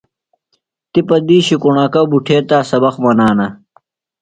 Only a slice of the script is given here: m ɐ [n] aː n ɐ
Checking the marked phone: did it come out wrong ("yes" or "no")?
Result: no